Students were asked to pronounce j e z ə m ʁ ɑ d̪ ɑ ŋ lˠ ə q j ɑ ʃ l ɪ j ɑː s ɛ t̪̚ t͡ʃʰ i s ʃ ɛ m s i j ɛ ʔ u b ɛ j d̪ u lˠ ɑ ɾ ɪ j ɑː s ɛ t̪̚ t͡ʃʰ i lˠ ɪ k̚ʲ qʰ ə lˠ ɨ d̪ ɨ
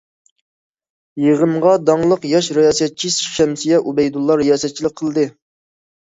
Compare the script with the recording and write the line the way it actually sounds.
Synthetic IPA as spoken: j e ʁ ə m ʁ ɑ d̪ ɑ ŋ lˠ ə q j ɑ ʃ ɾ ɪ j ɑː s ɛ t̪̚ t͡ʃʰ i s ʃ ɛ m s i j ɛ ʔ u b ɛ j d̪ u lˠː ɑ ɾ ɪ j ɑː s ɛ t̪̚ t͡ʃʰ i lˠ ɪ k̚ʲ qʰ ə lˠ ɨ d̪ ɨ